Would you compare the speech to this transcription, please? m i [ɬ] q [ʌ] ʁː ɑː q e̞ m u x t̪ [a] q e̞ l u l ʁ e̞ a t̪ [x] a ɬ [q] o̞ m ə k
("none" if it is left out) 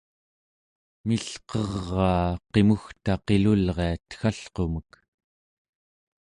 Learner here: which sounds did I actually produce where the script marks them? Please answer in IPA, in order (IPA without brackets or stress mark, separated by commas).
ɬ, ʌ, a, x, q